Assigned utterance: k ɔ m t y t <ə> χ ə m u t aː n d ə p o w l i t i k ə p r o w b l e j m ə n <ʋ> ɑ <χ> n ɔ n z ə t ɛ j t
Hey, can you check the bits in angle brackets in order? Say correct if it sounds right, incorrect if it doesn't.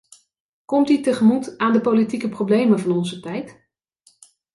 correct, incorrect: v, incorrect: none

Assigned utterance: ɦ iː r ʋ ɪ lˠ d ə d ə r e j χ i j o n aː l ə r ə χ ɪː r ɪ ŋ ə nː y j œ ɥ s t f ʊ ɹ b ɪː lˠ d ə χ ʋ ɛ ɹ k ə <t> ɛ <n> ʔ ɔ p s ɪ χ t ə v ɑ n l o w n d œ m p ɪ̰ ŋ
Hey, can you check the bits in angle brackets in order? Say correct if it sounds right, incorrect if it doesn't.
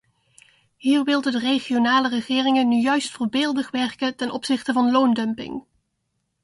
correct, correct

